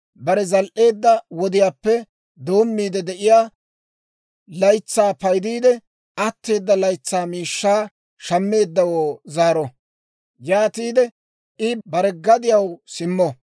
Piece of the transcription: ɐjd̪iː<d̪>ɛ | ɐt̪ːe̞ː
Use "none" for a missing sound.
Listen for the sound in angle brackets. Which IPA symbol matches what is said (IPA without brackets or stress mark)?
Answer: d̪